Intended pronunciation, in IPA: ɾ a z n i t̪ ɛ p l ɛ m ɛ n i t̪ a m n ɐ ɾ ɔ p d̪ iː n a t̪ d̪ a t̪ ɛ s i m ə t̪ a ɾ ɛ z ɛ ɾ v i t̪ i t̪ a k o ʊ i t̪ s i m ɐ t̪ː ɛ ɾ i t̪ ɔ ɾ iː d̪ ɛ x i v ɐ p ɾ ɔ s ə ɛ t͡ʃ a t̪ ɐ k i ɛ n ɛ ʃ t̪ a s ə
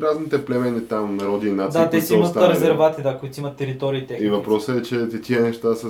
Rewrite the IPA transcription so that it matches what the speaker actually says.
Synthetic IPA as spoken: ɾ a z n i t̪ ɛ p l ɛ m ɛ n i t̪ a m n ɐ ɾ ɔ d̪ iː n a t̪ d̪ a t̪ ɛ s i m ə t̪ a ɾ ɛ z ɛ ɾ v a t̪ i d̪ a k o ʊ i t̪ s i m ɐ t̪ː ɛ ɾ i t̪ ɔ ɾ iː t̪ ɛ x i v ɐ p ɾ ɔ s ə ɛ t͡ʃ ɛ t̪ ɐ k i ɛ n ɛ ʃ t̪ a s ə